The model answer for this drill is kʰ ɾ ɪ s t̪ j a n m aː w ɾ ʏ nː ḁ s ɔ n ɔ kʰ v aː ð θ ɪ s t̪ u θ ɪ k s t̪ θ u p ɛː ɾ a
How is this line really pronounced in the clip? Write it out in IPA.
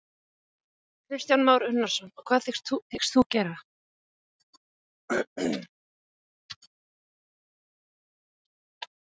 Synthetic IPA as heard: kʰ ɾ ɪ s t̪ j a n m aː w ɾ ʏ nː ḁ s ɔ n ɔ kʰ v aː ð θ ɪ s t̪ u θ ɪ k s t̪ θ u c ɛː ɾ a